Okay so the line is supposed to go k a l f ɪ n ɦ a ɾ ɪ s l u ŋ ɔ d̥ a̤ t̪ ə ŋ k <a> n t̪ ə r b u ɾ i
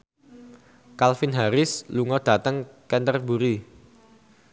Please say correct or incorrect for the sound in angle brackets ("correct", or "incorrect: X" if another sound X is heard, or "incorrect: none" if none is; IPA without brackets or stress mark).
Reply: incorrect: ɛ